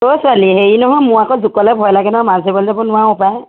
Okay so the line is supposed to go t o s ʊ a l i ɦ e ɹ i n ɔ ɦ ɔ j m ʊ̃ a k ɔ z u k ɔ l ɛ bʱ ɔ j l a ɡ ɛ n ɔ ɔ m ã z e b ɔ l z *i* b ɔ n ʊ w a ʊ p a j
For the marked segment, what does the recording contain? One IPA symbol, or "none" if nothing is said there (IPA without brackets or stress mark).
a